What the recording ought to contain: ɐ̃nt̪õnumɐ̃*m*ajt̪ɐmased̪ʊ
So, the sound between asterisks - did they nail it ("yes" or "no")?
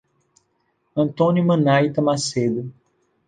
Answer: no